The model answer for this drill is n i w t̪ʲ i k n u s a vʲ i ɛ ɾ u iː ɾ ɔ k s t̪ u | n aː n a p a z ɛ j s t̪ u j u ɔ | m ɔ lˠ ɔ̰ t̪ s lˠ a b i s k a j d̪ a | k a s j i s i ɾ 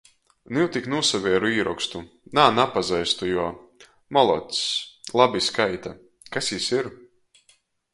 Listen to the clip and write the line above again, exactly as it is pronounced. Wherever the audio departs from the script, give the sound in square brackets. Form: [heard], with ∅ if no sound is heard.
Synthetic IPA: n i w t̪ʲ i k n u s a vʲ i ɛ ɾ u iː ɾ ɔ k s t̪ u | n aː n a p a z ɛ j s t̪ u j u ɔ | m ɔ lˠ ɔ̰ t̪ s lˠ a b i s k a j [t̪] a | k a s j i s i ɾ